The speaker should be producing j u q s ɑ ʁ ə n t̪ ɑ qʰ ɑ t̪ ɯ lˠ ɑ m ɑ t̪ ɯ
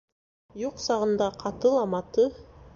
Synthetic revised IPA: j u q s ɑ ʁ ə n d̪ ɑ qʰ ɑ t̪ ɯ lˠ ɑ m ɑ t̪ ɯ